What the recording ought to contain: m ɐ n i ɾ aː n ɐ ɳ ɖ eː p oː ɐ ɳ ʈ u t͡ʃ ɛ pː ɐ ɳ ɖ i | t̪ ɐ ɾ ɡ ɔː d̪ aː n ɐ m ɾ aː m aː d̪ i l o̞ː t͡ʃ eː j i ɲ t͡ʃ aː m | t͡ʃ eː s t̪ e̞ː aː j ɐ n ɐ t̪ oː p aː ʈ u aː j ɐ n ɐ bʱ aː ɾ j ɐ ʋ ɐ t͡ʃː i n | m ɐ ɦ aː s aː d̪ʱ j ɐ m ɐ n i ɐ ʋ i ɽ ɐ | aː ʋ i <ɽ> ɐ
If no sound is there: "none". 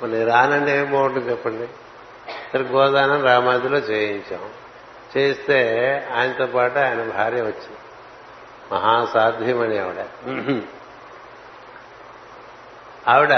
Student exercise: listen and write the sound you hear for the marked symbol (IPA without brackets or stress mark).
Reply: ɽ